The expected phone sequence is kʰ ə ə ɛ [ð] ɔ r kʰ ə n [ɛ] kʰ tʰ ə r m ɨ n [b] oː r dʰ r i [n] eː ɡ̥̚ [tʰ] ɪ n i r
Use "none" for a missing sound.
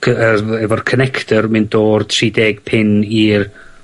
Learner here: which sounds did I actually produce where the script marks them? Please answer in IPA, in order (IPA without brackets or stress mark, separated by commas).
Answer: v, ɛ, d, d, pʰ